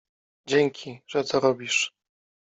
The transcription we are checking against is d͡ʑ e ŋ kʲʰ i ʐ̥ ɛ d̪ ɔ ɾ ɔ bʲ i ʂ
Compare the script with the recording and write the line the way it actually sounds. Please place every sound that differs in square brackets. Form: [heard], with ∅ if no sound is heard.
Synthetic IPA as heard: d͡ʑ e ŋ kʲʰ i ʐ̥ ɛ [t̪] ɔ ɾ ɔ bʲ i ʂ